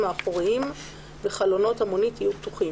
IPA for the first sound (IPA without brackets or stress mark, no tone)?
m